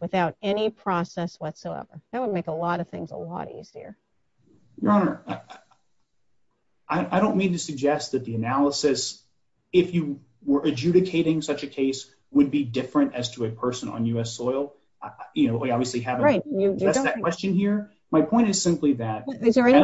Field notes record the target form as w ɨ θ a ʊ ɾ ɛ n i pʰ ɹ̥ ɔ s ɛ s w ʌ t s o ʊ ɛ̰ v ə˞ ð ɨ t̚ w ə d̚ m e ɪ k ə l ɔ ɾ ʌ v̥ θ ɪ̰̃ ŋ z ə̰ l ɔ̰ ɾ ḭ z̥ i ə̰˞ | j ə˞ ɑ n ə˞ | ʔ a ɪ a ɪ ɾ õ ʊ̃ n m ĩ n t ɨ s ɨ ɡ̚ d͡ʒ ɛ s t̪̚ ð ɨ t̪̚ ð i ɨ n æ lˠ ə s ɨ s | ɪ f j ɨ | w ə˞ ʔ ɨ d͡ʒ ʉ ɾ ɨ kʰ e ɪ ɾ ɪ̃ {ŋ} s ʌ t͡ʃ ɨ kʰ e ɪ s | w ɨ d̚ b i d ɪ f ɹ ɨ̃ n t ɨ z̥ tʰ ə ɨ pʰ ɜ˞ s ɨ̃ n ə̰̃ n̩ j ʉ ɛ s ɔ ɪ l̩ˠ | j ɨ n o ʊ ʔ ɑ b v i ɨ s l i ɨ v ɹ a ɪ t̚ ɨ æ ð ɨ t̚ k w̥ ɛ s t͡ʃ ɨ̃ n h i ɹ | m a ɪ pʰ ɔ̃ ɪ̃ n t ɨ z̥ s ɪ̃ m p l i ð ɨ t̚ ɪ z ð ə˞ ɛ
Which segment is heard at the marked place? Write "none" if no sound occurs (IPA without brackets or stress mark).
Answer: ŋ